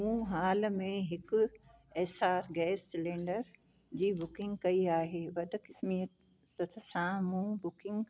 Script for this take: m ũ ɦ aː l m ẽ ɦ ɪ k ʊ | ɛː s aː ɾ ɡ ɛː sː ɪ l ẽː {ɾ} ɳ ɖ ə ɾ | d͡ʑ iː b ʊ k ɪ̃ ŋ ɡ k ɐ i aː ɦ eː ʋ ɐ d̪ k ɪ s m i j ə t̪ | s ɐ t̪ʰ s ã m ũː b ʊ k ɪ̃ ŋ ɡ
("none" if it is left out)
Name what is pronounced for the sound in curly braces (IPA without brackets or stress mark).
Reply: none